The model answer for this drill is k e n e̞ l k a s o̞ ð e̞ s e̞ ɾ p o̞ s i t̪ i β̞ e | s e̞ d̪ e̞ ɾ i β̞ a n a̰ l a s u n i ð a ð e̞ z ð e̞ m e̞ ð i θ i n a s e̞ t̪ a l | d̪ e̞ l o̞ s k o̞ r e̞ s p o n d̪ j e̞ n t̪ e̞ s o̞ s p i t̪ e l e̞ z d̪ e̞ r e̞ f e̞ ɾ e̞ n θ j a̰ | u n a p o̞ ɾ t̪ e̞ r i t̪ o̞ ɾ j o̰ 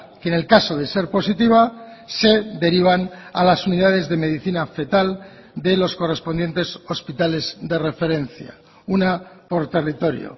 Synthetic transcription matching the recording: k e n e̞ l k a s o̞ ð e̞ s e̞ ɾ p o̞ s i t̪ i β̞ a | s e̞ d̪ e̞ ɾ i β̞ a n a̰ l a s u n i ð a ð e̞ z ð e̞ m e̞ ð i θ i n a f e̞ t̪ a l | d̪ e̞ l o̞ s k o̞ r e̞ s p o n d̪ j e̞ n t̪ e̞ s o̞ s p i t̪ a l e̞ z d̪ e̞ r e̞ f e̞ ɾ e̞ n θ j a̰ | u n a p o̞ ɾ t̪ e̞ r i t̪ o̞ ɾ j o̰